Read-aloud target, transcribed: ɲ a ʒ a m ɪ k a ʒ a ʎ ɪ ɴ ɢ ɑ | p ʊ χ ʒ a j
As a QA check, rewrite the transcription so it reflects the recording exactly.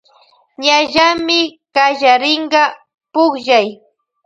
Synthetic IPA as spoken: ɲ a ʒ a m ɪ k a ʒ a ɾ ɪ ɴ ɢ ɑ | p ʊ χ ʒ a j